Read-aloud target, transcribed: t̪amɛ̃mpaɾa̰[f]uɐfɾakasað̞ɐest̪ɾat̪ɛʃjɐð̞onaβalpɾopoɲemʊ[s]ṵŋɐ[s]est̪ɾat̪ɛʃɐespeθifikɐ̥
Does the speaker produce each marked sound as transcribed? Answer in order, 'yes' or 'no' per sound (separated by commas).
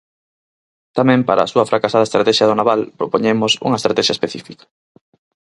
no, yes, no